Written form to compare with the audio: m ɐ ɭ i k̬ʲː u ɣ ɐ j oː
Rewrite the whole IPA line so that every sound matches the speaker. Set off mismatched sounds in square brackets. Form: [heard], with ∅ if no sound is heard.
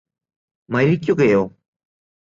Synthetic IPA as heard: m ɐ [ɾ] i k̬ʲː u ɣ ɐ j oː